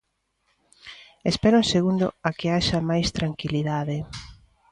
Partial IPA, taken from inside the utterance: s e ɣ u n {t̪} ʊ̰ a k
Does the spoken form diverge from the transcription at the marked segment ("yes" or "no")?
yes